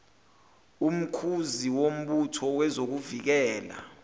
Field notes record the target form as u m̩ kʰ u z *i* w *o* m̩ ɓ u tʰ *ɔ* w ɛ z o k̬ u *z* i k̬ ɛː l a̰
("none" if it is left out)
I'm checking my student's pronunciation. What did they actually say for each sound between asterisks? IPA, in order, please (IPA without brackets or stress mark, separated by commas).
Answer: i, o, ɔ, v